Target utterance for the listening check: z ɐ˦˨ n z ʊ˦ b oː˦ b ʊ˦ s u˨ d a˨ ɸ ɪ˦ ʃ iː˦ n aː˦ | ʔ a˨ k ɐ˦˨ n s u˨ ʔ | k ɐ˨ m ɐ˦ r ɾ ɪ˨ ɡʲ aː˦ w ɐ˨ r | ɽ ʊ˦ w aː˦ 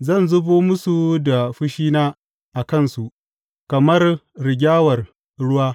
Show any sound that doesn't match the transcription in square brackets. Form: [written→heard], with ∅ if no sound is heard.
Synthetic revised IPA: z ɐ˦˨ n z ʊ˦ b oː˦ [b→m] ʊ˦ s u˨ d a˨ ɸ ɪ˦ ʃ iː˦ n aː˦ | ʔ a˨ k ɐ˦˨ n s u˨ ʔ | k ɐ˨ m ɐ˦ r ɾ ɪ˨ ɡʲ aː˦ w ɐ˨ r | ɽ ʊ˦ w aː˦